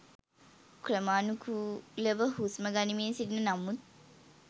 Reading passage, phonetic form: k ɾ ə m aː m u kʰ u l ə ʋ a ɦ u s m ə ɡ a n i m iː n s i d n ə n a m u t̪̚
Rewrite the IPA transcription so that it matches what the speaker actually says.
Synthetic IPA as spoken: k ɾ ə m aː n u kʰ u l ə ʋ ə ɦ u s m ə ɡ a n i m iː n s i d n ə n a m u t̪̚

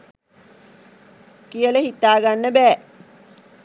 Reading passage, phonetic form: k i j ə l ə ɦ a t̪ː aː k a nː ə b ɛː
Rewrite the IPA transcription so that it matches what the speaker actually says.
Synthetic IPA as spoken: k i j ə l ə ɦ i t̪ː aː ɡ a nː ə b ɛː

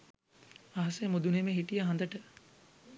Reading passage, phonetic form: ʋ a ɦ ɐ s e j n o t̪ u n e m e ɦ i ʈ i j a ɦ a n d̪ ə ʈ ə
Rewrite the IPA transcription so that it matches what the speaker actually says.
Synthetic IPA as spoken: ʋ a ɦ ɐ s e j m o d̪ u n e m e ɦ i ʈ i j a ɦ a n d̪ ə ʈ ə

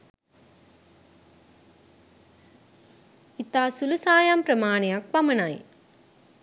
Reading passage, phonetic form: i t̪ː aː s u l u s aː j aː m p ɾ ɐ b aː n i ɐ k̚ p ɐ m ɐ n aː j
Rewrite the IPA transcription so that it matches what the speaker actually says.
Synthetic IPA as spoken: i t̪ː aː s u l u s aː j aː m p ɾ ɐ m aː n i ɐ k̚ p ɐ m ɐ n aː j

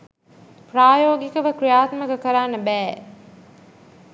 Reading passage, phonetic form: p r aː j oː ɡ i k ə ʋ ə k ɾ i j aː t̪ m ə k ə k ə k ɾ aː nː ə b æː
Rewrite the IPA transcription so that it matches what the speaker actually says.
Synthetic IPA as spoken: p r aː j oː ɡ i k ə ʋ ə k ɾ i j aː t̪ m ə k ə k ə ɾ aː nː ə b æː

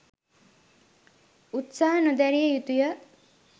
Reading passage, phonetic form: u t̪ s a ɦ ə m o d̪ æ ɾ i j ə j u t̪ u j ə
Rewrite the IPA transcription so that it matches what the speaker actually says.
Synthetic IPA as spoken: u t̪ s a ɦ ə n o d̪ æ ɾ i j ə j u t̪ u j ə

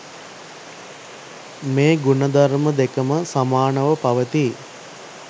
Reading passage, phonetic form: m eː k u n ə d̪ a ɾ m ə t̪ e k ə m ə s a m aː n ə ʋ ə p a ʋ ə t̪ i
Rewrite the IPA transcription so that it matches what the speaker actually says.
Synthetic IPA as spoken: m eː ɡ u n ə d̪ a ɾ m ə d̪ e k ə m ə s a m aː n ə ʋ ə p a ʋ ə t̪ i

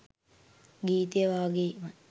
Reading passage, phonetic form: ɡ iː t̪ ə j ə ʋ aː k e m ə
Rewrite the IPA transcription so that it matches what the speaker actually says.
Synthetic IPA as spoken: ɡ iː t̪ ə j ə ʋ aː ɡ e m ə

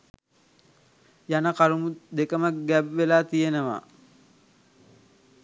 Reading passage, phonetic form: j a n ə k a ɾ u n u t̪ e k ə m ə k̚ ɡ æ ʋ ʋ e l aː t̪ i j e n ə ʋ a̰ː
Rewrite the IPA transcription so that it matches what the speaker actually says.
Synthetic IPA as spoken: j a n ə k a ɾ u m u d̪ e k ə m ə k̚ ɡ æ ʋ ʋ e l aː t̪ i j e n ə ʋ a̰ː

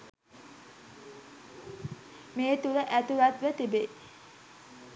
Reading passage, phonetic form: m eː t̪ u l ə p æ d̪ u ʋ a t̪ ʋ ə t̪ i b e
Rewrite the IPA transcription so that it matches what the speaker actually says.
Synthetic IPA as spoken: m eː t̪ u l ə ʔ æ t̪ u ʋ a t̪ ʋ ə t̪ i b e

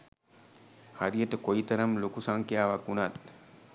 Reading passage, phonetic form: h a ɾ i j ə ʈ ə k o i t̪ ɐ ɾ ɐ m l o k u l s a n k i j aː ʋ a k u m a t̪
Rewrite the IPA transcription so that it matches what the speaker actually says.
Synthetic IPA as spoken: h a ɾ i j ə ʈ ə k o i t̪ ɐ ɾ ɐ m l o k u s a ŋ k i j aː ʋ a k u n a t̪

